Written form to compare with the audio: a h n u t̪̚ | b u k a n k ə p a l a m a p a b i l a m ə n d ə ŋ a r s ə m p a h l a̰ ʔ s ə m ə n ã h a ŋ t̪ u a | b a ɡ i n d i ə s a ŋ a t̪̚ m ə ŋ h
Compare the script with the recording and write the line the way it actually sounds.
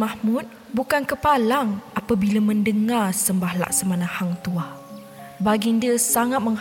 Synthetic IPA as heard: a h m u t̪̚ | b u k a n k ə p a l a ŋ a p a b i l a m ə n d ə ŋ a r s ə m b a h l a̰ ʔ s ə m a n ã h a ŋ t̪ u a | b a ɡ i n d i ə s a ŋ a t̪̚ m ə ŋ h